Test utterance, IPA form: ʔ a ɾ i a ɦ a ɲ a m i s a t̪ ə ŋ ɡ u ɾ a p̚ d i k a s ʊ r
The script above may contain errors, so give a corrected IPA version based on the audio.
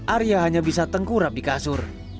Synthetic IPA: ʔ a ɾ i a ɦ a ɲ a b i s a t̪ ə ŋ k u ɾ a p̚ d i k a s ʊ r